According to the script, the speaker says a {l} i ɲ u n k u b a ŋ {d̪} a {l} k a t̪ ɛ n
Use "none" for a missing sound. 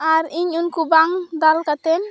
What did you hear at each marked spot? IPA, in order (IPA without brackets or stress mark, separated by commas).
ɾ, d̪, l